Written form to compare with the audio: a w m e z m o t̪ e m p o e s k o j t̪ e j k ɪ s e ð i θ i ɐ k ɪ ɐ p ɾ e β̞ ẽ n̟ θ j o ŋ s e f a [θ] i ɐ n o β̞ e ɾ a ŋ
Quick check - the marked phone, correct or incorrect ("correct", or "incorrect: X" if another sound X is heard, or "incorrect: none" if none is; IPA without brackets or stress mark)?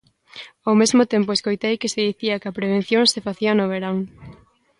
correct